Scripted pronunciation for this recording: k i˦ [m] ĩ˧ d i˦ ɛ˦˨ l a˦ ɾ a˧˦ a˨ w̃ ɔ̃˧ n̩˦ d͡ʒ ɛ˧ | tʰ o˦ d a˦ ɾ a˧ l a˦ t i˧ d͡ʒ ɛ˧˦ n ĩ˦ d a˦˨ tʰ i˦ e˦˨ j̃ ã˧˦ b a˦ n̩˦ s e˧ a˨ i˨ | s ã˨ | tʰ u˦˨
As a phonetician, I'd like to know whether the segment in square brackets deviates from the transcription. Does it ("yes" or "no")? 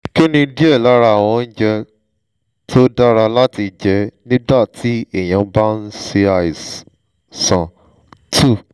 yes